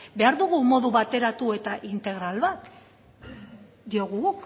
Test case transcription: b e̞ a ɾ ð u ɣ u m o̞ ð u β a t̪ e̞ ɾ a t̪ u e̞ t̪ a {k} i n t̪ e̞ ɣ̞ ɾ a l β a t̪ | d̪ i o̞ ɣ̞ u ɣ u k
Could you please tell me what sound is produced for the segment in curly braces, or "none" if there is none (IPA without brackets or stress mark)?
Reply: ʔ